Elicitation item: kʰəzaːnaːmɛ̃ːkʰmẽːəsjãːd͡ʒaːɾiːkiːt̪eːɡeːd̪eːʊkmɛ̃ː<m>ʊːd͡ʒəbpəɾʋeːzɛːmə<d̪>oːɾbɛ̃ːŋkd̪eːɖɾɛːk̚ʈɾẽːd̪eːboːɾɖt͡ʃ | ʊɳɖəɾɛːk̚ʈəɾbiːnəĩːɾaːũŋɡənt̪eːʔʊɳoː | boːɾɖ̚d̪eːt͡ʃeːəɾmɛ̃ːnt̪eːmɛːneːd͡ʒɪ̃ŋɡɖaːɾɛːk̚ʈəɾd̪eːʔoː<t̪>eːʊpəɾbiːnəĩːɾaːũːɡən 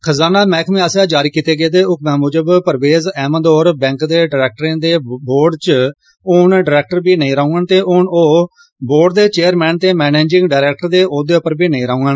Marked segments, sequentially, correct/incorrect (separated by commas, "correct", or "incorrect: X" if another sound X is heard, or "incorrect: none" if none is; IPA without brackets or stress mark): correct, correct, incorrect: d̪